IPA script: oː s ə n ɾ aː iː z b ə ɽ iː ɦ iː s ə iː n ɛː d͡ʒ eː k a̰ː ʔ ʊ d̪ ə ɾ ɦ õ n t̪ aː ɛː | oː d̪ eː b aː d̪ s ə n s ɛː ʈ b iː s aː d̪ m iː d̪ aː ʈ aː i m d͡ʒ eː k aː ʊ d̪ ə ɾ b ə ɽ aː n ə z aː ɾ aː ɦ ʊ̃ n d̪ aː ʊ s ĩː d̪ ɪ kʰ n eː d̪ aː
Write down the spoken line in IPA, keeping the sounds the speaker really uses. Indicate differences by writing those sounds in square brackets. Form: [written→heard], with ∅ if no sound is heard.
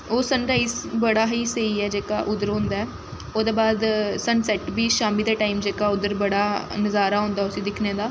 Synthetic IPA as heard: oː s ə n ɾ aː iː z b ə ɽ [iː→aː] ɦ iː s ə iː [n→∅] ɛː d͡ʒ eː k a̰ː ʔ ʊ d̪ ə ɾ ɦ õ n [t̪→d̪] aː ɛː | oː d̪ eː b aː d̪ s ə n s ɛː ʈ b iː [s→ʃ] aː [d̪→∅] m iː d̪ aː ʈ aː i m d͡ʒ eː k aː ʊ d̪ ə ɾ b ə ɽ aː n ə z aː ɾ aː ɦ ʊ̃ n d̪ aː ʊ s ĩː d̪ ɪ kʰ n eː d̪ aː